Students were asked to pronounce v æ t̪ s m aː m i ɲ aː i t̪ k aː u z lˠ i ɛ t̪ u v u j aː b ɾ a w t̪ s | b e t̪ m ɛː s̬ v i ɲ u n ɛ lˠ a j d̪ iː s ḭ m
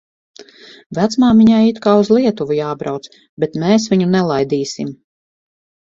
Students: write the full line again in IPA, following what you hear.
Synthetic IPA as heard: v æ t̪ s m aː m i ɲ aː i t̪ k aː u z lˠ i ɛ t̪ u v u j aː b ɾ a w t̪ s | b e t̪ m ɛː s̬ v i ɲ u n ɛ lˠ a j d̪ iː s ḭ m